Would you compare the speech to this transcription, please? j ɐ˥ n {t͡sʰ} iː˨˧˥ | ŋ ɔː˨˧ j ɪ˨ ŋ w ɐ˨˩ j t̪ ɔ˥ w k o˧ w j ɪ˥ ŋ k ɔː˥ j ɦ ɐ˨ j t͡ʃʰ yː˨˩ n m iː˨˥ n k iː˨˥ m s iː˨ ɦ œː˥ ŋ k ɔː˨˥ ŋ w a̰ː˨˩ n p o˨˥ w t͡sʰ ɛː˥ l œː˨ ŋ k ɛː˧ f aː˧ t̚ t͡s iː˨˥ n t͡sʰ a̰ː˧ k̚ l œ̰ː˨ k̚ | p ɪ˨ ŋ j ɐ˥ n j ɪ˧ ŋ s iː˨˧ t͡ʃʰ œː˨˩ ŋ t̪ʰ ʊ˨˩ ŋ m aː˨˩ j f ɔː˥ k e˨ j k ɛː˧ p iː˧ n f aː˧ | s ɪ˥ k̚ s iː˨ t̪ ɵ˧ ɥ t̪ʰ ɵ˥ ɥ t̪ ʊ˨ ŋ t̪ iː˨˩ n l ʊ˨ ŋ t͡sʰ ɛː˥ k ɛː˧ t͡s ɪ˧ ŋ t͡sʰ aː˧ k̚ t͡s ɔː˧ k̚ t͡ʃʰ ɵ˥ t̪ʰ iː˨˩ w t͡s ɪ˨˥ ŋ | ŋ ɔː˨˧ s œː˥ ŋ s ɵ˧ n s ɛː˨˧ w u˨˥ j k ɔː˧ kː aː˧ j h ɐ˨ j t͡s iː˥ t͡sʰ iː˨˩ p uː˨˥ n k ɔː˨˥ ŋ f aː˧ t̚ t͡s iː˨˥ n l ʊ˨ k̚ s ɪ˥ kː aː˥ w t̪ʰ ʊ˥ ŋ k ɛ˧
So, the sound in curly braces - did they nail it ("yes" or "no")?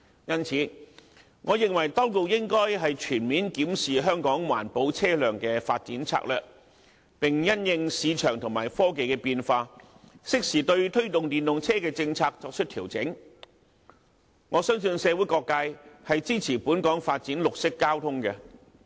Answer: yes